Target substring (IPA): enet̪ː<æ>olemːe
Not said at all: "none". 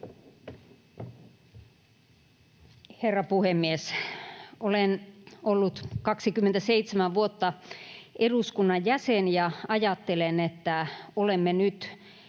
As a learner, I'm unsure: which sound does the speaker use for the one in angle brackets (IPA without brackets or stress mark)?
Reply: æ